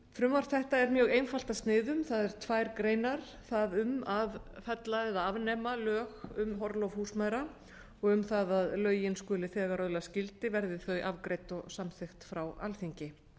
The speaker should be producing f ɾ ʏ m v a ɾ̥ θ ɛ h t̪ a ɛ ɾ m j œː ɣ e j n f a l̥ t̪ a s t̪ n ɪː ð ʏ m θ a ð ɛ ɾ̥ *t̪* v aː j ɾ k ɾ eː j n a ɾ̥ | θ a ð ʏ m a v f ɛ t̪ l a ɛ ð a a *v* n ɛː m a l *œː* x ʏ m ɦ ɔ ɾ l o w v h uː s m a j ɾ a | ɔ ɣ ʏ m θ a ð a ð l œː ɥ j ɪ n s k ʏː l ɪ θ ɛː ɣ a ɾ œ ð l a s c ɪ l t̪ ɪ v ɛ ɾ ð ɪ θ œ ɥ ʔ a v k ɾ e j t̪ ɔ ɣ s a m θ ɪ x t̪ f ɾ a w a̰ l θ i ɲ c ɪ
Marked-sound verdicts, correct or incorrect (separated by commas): incorrect, correct, correct